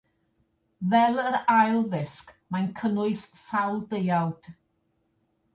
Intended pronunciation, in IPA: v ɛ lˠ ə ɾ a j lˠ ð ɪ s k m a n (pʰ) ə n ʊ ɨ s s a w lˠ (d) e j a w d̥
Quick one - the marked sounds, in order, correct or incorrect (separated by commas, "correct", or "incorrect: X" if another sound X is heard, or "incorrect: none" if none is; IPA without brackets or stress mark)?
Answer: incorrect: kʰ, correct